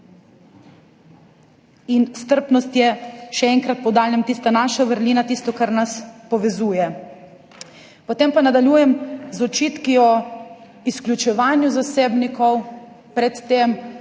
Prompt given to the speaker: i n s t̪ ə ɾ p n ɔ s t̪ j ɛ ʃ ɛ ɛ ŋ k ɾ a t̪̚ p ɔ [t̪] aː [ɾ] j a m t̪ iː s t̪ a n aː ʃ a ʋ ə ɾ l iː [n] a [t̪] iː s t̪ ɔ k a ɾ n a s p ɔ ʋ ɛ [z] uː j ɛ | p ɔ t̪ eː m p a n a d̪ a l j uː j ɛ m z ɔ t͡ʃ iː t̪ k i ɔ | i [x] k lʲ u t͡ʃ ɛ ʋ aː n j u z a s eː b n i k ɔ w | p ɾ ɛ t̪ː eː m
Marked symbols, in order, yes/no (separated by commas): no, no, yes, yes, yes, no